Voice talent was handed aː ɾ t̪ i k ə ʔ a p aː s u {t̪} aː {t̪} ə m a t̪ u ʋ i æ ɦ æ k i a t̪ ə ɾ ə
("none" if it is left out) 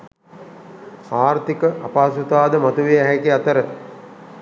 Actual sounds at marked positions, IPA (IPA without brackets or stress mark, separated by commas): t̪, d̪